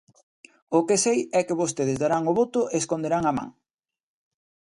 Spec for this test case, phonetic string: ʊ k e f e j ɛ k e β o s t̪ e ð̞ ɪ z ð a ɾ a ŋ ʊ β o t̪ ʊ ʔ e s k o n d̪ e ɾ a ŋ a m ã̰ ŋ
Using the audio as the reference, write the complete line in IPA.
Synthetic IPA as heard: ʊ k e s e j ɛ k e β o s t̪ e ð̞ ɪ z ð a ɾ a ŋ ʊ β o t̪ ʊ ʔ e s k o n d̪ e ɾ a ŋ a m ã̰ ŋ